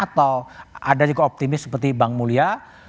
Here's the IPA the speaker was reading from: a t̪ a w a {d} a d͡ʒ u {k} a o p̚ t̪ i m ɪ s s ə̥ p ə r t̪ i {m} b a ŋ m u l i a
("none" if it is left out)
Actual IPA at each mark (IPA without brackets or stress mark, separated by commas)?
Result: d, ɡ, none